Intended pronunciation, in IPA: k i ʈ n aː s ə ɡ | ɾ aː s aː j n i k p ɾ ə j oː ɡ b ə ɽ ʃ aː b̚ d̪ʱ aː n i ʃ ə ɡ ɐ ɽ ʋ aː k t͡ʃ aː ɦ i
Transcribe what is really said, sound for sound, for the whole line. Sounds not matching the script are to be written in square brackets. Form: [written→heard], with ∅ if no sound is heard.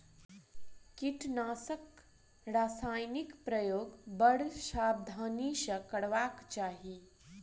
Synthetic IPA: k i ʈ n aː s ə [ɡ→k] | ɾ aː s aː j n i k p ɾ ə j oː ɡ b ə ɽ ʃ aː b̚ d̪ʱ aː n i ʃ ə [ɡ→k] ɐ ɽ ʋ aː k t͡ʃ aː ɦ i